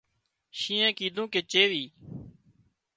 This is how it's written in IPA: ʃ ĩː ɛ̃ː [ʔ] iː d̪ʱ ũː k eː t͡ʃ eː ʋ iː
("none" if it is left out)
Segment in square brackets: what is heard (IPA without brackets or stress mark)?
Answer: k